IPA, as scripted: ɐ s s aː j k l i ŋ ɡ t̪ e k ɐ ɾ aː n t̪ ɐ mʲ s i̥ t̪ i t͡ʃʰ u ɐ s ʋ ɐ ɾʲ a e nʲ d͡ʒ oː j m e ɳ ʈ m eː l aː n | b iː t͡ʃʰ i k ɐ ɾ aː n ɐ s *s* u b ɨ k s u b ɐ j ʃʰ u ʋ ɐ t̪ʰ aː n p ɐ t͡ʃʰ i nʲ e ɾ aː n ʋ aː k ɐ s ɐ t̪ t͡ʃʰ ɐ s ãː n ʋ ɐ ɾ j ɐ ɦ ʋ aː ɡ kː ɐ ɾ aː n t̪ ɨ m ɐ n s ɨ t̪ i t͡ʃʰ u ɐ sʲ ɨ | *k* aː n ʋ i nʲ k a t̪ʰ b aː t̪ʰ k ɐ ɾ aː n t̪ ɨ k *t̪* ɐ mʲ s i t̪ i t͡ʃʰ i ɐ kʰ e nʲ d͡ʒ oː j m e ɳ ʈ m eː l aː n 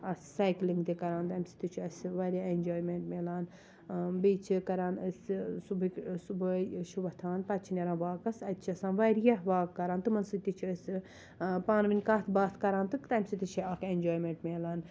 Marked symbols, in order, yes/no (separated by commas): yes, no, yes